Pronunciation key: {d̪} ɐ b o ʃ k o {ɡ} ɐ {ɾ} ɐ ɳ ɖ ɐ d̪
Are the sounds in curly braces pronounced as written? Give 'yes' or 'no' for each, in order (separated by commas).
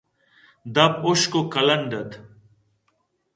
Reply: yes, no, no